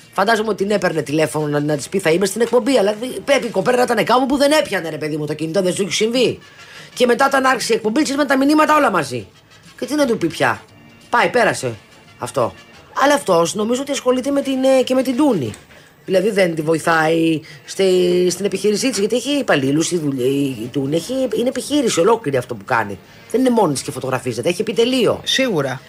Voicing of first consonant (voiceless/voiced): voiceless